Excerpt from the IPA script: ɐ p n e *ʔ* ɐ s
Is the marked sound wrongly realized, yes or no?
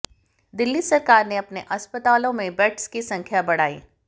no